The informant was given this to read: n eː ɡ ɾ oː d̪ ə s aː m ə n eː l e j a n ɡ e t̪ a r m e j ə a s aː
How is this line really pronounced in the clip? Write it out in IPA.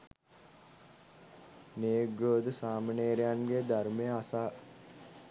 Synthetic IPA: n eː ɡ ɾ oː d̪ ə s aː m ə n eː ɾ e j a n ɡ e d̪ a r m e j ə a s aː